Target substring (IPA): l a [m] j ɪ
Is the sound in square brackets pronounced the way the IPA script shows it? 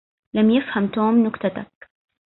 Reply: yes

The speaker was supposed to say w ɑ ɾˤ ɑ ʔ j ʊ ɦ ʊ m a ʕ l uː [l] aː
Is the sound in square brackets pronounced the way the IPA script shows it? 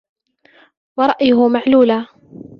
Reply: yes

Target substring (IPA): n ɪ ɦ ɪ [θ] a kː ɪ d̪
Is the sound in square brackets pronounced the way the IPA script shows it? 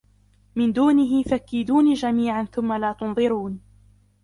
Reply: no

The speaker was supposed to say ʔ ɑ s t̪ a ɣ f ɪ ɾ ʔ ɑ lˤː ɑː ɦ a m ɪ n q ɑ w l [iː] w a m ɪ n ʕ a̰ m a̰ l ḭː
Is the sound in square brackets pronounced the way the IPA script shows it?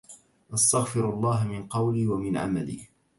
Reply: yes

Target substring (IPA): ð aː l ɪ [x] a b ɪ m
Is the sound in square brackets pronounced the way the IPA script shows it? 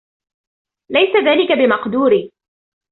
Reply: no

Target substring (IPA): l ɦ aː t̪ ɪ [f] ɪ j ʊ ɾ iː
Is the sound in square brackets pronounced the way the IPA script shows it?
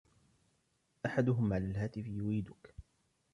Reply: yes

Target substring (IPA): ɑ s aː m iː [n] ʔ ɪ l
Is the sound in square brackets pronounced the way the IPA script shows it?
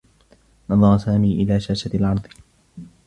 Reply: no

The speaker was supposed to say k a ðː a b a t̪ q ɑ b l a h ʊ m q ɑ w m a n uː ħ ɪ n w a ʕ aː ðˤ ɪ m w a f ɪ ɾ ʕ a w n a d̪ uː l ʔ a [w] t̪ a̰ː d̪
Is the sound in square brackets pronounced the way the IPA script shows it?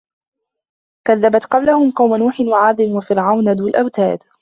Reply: yes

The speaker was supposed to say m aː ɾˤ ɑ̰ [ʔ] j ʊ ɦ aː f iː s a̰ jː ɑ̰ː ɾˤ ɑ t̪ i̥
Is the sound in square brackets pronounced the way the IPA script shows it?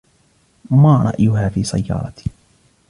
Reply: yes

